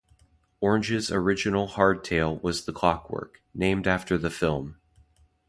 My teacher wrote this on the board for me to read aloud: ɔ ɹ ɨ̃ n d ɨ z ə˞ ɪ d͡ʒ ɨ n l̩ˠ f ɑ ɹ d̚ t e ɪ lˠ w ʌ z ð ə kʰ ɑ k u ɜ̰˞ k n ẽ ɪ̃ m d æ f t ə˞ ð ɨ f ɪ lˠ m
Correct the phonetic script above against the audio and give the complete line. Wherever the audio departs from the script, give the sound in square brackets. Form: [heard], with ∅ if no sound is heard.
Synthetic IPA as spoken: ɔ ɹ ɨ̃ n [d͡ʒ] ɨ z ə˞ ɪ d͡ʒ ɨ n l̩ˠ [h] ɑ ɹ d̚ [tʰ] e ɪ lˠ w ʌ z ð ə kʰ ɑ k [w] ɜ̰˞ k n ẽ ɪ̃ m d æ f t ə˞ ð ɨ f ɪ lˠ m